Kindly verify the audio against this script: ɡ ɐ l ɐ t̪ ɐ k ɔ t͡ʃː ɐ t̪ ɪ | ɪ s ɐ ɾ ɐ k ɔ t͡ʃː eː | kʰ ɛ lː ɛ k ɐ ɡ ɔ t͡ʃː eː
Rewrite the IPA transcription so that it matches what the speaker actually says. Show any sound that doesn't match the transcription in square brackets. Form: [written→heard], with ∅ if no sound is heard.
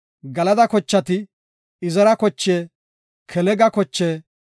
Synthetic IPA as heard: ɡ ɐ l ɐ [t̪→d̪] ɐ k ɔ t͡ʃː ɐ t̪ ɪ | ɪ [s→z] ɐ ɾ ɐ k ɔ t͡ʃː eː | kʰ ɛ [lː→l] ɛ [k→ɡ] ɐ [ɡ→k] ɔ t͡ʃː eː